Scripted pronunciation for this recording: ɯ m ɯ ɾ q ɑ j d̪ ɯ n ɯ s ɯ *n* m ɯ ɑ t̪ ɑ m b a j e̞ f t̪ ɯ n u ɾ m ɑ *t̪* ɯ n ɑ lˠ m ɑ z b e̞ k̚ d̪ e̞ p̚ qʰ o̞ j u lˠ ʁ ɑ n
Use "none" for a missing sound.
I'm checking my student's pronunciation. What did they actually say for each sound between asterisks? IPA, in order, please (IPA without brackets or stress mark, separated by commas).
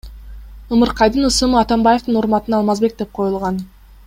none, t̪